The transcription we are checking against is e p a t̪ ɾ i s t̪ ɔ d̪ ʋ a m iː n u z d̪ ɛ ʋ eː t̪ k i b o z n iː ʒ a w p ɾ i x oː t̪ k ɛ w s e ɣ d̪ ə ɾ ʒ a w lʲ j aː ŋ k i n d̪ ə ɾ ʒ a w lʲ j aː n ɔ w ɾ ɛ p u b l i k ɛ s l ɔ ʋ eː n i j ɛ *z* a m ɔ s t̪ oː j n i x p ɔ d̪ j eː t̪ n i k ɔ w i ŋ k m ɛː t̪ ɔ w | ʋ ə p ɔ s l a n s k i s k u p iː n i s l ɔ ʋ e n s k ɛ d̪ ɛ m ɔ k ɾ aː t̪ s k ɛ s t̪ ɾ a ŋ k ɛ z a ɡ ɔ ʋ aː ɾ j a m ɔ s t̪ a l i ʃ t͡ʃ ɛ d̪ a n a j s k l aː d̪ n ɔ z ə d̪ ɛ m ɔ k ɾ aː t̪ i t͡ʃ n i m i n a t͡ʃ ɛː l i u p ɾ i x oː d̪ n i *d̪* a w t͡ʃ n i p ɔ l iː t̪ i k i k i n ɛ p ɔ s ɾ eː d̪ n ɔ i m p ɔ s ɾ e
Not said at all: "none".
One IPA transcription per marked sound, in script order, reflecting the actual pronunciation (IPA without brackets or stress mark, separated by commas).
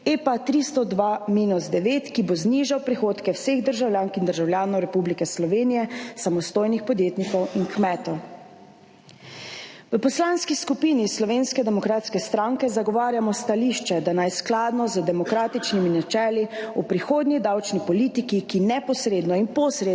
s, d̪